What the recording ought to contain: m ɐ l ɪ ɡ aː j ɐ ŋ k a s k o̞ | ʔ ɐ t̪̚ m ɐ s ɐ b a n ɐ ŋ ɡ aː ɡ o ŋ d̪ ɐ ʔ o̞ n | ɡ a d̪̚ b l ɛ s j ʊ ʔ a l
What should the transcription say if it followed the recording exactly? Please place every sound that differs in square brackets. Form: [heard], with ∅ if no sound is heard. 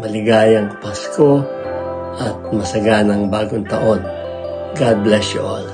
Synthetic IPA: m ɐ l ɪ ɡ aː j ɐ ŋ [p] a s k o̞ | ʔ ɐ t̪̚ m ɐ s ɐ [ɡ] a n ɐ ŋ [b] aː ɡ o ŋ [t̪] ɐ ʔ o̞ n | ɡ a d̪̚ b l ɛ s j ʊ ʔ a l